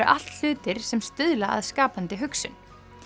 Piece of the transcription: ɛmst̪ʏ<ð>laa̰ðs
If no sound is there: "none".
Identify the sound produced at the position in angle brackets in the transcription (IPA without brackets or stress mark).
ð